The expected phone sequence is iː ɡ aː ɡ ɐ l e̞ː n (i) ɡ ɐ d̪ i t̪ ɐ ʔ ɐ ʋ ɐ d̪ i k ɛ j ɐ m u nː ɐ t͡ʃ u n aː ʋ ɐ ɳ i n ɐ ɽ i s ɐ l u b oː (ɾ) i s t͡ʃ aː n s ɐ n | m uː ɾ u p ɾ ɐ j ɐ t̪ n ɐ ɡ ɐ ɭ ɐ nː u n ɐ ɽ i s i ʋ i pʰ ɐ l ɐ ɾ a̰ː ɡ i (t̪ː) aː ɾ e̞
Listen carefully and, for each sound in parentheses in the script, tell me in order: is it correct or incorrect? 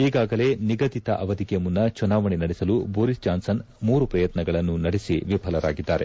correct, correct, incorrect

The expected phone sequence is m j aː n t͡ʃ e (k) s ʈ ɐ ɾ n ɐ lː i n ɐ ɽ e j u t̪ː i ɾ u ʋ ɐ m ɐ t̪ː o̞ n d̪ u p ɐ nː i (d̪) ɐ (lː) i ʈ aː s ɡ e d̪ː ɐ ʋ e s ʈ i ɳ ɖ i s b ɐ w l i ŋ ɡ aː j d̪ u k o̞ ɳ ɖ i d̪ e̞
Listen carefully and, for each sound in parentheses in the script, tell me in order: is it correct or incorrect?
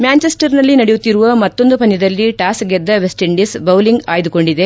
incorrect, correct, correct

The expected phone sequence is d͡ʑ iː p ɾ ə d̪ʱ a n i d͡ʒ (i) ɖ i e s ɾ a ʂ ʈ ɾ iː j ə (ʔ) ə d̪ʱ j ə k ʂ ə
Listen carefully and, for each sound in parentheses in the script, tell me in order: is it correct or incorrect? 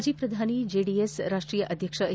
incorrect, correct

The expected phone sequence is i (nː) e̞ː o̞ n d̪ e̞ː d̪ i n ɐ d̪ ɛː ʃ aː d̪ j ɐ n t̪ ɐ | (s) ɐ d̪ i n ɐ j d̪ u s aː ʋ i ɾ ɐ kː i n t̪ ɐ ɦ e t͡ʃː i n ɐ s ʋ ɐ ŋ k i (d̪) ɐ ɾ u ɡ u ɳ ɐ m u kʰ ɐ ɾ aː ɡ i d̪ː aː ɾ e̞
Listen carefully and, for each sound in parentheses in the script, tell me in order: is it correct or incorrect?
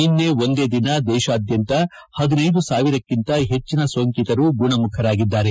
correct, incorrect, incorrect

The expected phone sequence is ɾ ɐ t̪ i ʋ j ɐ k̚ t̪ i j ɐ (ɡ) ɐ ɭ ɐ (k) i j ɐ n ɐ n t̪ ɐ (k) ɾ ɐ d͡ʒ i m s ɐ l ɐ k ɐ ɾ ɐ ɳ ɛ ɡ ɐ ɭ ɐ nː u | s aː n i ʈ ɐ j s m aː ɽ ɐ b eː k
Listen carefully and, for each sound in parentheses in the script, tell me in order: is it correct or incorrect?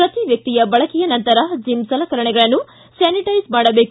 incorrect, correct, incorrect

